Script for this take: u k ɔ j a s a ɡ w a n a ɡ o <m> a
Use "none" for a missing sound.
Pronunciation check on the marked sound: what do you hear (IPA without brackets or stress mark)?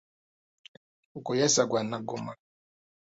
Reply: m